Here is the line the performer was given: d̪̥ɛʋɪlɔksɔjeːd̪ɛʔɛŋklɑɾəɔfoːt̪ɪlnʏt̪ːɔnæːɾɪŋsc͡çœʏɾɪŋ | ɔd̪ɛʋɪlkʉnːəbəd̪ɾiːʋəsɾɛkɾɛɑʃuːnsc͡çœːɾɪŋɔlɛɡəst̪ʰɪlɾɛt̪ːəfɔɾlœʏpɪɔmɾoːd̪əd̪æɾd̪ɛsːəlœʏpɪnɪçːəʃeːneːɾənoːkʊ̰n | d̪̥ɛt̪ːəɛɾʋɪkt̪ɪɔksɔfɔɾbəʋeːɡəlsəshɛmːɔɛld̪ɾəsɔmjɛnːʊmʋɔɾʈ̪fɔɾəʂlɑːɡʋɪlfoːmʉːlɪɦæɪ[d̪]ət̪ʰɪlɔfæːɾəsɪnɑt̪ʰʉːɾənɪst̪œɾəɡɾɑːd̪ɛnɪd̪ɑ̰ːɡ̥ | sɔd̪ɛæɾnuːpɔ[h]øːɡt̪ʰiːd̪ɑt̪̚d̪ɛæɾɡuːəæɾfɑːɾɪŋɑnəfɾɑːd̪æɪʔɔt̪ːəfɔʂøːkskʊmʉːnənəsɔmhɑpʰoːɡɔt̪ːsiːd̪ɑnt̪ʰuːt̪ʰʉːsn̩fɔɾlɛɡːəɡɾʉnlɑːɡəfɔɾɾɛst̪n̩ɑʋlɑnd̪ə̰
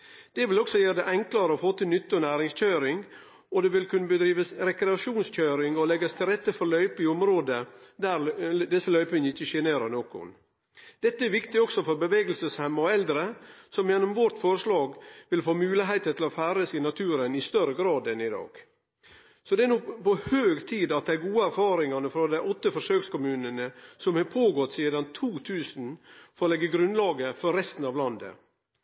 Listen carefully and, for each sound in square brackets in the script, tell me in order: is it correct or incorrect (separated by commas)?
incorrect, correct